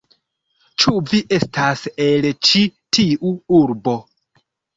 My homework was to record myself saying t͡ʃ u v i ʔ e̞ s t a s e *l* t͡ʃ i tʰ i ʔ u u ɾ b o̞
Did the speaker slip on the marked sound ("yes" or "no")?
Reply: no